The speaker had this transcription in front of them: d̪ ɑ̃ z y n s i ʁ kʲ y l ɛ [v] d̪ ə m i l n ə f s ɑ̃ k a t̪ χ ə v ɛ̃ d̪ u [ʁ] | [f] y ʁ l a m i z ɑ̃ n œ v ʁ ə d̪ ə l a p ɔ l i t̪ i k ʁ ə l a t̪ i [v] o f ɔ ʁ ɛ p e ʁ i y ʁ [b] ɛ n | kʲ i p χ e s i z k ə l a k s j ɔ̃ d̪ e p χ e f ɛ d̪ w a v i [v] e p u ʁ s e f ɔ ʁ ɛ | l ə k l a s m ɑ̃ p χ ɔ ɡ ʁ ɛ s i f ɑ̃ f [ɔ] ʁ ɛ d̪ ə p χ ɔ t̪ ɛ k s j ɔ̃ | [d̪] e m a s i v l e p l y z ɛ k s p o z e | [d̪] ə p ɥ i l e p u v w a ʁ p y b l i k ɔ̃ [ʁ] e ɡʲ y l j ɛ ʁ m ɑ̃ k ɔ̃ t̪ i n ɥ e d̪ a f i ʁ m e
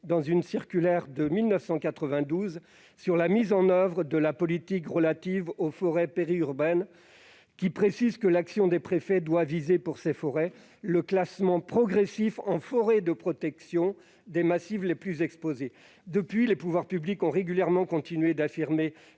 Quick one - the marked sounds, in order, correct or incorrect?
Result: incorrect: ʁ, incorrect: z, incorrect: s, correct, correct, incorrect: z, correct, correct, correct, correct

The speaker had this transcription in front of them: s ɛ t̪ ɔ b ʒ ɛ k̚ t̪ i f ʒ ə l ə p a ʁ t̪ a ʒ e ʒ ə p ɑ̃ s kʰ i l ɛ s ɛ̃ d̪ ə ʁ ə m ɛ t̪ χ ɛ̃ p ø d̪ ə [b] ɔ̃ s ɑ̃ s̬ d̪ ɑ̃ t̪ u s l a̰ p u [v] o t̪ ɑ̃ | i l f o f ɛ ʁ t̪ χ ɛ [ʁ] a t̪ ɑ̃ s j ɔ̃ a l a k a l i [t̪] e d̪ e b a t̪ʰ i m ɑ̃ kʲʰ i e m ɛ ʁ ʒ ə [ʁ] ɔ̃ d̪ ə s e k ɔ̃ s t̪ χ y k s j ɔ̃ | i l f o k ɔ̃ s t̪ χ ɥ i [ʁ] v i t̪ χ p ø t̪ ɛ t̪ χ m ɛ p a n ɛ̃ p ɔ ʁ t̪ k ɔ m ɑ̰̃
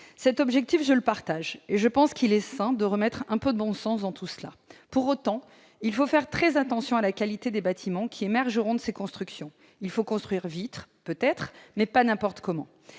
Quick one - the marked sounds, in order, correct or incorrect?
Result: correct, incorrect: ʁ, incorrect: z, correct, correct, correct

